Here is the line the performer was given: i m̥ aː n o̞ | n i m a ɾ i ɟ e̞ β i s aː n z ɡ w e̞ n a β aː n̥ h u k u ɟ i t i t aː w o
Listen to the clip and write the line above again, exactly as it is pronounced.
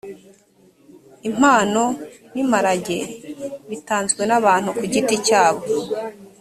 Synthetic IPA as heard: i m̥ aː n o̞ | n i m a ɾ a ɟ e̞ β i t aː n z ɡ w e̞ n a β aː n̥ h u k u ɟ i t i c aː β o